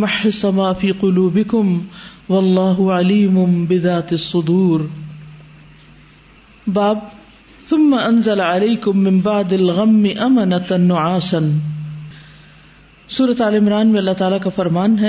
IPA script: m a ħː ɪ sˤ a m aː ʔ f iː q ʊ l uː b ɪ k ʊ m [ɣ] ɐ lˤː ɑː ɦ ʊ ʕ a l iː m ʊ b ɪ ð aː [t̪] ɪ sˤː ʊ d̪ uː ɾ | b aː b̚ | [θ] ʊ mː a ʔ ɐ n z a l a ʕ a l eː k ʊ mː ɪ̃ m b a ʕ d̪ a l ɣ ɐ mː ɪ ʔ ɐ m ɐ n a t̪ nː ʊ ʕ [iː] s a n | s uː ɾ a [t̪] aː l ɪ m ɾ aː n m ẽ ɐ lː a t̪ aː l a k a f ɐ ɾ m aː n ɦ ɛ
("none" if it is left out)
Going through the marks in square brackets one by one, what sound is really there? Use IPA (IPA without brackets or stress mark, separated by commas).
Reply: w, t̪, θ, aː, t̪